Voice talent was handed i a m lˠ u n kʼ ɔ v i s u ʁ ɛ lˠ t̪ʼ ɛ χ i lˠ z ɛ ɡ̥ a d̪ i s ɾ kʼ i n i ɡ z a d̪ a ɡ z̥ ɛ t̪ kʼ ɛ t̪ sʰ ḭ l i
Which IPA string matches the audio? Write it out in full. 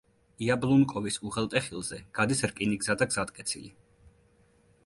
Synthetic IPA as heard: i a b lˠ u n kʼ ɔ v i s u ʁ ɛ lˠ t̪ʼ ɛ χ i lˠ z ɛ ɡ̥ a d̪ i s ɾ kʼ i n i ɡ z a d̪ a ɡ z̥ a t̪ kʼ ɛ t̪ sʰ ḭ l i

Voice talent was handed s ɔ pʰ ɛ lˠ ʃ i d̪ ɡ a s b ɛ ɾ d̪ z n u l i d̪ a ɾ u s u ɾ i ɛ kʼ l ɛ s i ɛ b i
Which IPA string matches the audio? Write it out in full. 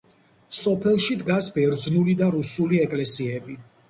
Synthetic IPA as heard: s ɔ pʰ ɛ lˠ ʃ i d̪ ɡ a s b ɛ ɾ d̪ z n u l i d̪ a ɾ u s u l i ɛ kʼ l ɛ s i ɛ b i

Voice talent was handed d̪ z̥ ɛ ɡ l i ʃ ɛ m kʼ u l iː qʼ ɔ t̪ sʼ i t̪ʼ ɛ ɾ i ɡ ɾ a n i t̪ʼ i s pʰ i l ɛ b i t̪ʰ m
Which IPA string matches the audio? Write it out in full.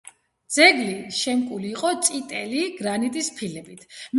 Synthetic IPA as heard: d̪ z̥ ɛ ɡ l i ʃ ɛ m kʼ u l iː qʼ ɔ t̪ sʼ i t̪ʼ ɛ l i ɡ ɾ a n i t̪ʼ i s pʰ i l ɛ b i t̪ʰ m

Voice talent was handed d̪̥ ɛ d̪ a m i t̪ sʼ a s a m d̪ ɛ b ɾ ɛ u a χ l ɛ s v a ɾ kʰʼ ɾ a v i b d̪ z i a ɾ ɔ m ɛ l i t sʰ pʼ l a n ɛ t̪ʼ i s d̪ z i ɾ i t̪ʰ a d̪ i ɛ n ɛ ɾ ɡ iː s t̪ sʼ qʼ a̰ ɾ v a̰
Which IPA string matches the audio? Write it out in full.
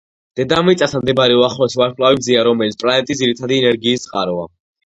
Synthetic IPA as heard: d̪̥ ɛ d̪ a m i t̪ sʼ a s a m d̪ ɛ b ɾ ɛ u a χ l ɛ s v a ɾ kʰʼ l a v i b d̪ z i a ɾ ɔ m ɛ l i t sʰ pʼ l a n ɛ t̪ʼ i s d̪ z i ɾ i t̪ʰ a d̪ i ɛ n ɛ ɾ ɡ iː s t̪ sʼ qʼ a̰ ɾ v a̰

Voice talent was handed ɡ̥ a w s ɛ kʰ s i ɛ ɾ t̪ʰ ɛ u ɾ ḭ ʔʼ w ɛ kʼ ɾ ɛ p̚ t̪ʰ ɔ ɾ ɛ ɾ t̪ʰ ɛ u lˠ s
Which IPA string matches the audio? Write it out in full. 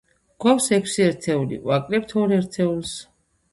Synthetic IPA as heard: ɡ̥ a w s ɛ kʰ s i ɛ ɾ t̪ʰ ɛ u l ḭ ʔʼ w a kʼ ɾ ɛ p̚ t̪ʰ ɔ ɾ ɛ ɾ t̪ʰ ɛ u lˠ s

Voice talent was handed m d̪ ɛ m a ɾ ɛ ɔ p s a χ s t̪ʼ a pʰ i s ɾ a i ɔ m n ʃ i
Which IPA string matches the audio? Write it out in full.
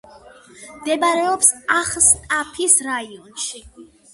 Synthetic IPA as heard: m d̪ ɛ b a ɾ ɛ ɔ p s a χ s t̪ʼ a pʰ i s ɾ a i ɔ n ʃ i

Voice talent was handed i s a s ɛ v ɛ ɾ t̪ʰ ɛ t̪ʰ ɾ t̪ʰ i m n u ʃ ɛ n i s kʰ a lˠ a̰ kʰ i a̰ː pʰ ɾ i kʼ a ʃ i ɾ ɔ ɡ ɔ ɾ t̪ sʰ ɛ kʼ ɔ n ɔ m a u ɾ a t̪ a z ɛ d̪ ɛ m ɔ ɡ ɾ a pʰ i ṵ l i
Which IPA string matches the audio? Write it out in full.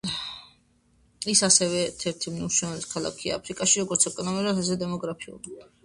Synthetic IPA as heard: i s a s ɛ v ɛ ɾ t̪ʰ ɛ ɾ t̪ʰ i m n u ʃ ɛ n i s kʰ a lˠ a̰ kʰ i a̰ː pʰ ɾ i kʼ a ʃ i ɾ ɔ ɡ ɔ ɾ t̪ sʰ ɛ kʼ ɔ n ɔ m i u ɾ a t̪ a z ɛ d̪ ɛ m ɔ ɡ ɾ a pʰ i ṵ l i

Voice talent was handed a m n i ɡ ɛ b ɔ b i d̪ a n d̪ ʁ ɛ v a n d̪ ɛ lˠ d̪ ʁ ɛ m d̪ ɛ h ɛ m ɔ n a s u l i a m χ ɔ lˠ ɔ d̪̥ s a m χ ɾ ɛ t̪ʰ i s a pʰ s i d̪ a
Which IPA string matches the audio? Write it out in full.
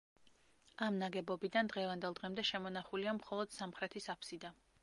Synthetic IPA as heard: a m n a ɡ ɛ b ɔ b i d̪ a n d̪ ʁ ɛ v a n d̪ ɛ lˠ d̪ ʁ ɛ m d̪ ɛ ʃ ɛ m ɔ n a χ u l i a m χ ɔ lˠ ɔ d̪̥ s a m χ ɾ ɛ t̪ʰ i s a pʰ s i d̪ a

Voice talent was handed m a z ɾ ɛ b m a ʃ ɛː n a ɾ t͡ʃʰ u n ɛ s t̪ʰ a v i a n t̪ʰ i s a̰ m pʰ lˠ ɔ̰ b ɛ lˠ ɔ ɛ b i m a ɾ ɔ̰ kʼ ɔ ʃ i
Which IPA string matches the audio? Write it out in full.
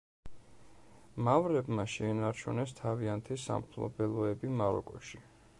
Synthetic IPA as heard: m a v ɾ ɛ b m a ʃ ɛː n a ɾ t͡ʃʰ u n ɛ s t̪ʰ a v i a n t̪ʰ i s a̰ m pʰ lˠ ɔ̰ b ɛ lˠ ɔ ɛ b i m a ɾ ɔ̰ kʼ ɔ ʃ i

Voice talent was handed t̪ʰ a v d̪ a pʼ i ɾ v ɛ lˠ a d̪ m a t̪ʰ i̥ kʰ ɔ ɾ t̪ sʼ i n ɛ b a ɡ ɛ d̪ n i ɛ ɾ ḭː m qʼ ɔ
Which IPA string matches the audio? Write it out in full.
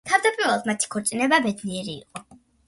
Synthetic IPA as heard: t̪ʰ a v d̪ a pʼ i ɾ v ɛ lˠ a d̪ m a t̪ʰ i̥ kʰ ɔ ɾ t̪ sʼ i n ɛ b a b ɛ d̪ n i ɛ ɾ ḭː qʼ ɔ

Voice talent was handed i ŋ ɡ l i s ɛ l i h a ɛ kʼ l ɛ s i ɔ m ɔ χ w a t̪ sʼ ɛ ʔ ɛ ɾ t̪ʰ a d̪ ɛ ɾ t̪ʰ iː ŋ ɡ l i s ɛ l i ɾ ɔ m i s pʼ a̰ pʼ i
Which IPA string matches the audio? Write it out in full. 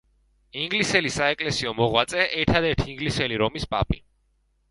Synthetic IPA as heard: i ŋ ɡ l i s ɛ l i s a ɛ kʼ l ɛ s i ɔ m ɔ ʁ w a t̪ sʼ ɛ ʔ ɛ ɾ t̪ʰ a d̪ ɛ ɾ t̪ʰ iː ŋ ɡ l i s ɛ l i ɾ ɔ m i s pʼ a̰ pʼ i

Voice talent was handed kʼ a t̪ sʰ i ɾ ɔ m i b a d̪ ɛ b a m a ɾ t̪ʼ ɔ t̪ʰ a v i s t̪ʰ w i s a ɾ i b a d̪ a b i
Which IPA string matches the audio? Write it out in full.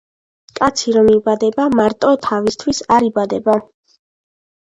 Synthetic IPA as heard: kʼ a t̪ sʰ i ɾ ɔ m i b a d̪ ɛ b a m a ɾ t̪ʼ ɔ t̪ʰ a v i s t̪ʰ w i s a ɾ i b a d̪ ɛ b a

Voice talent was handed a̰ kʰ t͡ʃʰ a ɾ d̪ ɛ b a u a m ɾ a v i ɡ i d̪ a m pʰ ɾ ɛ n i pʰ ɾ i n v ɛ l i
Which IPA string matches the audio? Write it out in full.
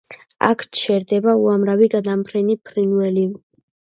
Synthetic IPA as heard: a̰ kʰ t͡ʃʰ ɛ ɾ d̪ ɛ b a u a m ɾ a v i ɡ a d̪ a m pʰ ɾ ɛ n i pʰ ɾ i n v ɛ l i

